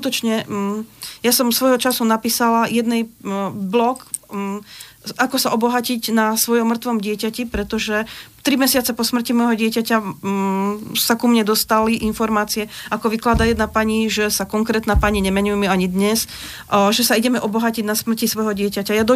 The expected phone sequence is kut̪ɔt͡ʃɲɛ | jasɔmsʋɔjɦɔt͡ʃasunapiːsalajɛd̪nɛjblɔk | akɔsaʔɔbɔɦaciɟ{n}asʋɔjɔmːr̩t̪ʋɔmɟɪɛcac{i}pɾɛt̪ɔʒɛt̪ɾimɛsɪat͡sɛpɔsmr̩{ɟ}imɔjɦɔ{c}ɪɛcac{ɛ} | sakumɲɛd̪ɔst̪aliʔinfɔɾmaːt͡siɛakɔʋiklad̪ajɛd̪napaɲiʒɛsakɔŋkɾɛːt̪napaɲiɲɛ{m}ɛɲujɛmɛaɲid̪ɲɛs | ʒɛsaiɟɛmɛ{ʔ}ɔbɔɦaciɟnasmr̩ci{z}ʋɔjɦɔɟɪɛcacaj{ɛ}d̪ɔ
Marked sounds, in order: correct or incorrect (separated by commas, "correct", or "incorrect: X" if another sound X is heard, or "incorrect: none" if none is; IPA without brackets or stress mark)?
correct, correct, incorrect: c, incorrect: ɟ, incorrect: a, correct, correct, incorrect: s, incorrect: a